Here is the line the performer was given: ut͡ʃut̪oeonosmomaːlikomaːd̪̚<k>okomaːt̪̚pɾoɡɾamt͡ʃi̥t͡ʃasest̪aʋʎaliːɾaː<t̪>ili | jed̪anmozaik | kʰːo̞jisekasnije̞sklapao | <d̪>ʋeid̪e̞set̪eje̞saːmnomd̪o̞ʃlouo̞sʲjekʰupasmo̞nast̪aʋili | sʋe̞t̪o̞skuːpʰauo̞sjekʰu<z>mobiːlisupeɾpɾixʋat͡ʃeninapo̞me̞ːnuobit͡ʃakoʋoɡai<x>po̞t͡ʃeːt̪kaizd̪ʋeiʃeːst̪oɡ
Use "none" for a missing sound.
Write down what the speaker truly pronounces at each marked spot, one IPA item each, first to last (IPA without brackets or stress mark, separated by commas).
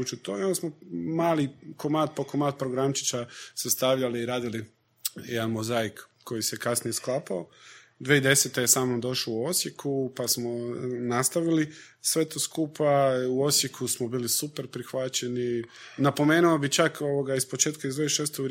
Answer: p, d̪, d̪, s, s